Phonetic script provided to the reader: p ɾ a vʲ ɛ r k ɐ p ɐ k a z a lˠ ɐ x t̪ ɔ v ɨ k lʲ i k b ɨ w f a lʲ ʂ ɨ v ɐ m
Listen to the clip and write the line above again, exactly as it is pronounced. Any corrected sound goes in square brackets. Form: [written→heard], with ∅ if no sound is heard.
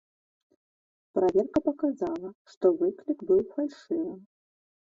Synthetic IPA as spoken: p ɾ a vʲ ɛ r k ɐ p ɐ k a z a lˠ ɐ [x→ʂ] t̪ ɔ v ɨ k lʲ i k b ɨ w f a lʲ ʂ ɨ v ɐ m